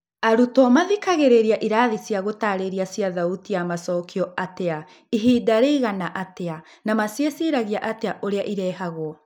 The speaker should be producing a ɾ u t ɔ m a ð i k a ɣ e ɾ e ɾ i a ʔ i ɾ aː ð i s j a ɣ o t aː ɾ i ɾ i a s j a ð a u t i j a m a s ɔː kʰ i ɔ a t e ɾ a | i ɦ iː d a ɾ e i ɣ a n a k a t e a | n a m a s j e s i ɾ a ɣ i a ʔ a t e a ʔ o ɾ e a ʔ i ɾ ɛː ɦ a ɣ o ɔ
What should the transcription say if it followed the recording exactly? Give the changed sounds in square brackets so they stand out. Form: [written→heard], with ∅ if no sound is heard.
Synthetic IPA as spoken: a ɾ u t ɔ m a ð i k a ɣ e ɾ e ɾ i a ʔ i ɾ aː ð i s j a ɣ o t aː ɾ [i→e] ɾ i a s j a ð a u t i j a m a s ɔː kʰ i ɔ a t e [ɾ→∅] a | i ɦ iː d a ɾ e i ɣ a n a [k→ʔ] a t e a | n a m a s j e s i ɾ a ɣ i a ʔ a t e a ʔ o ɾ e a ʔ i ɾ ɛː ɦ a ɣ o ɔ